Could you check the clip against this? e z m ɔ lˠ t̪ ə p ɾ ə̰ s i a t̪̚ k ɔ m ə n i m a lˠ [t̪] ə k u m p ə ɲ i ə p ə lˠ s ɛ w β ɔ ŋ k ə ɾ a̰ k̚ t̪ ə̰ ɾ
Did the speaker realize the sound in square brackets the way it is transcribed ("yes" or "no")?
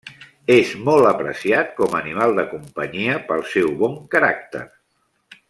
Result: no